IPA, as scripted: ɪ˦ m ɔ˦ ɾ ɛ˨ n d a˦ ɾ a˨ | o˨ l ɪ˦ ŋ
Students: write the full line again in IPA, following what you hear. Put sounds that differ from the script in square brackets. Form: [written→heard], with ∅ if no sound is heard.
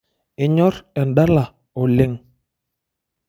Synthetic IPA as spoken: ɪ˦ [m→ɲ] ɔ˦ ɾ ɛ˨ n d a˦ [ɾ→l] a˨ | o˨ l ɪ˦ ŋ